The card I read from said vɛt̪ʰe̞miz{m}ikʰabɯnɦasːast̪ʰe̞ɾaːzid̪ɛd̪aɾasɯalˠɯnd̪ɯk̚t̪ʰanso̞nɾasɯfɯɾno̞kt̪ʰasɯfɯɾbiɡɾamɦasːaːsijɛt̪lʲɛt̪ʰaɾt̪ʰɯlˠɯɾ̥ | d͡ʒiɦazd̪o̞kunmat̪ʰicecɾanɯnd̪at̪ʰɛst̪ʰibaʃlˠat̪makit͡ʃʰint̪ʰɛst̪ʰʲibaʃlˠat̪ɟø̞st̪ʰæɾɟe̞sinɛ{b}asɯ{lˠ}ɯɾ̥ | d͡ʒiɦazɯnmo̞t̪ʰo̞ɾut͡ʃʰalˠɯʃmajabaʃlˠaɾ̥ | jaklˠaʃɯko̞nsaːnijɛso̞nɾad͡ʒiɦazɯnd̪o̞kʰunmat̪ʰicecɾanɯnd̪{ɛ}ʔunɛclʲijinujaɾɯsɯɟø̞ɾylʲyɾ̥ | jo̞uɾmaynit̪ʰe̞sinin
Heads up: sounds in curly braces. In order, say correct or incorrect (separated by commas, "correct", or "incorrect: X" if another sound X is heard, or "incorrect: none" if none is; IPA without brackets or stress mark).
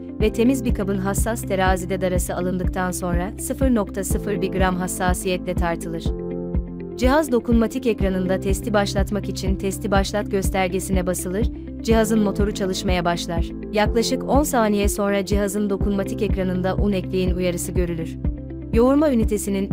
incorrect: b, correct, correct, incorrect: a